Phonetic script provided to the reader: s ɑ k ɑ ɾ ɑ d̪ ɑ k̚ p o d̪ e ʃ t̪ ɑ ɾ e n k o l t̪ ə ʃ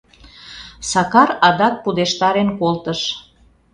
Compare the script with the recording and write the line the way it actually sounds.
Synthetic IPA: s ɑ k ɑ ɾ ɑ d̪ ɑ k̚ p u d̪ e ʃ t̪ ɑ ɾ e n k o l t̪ ə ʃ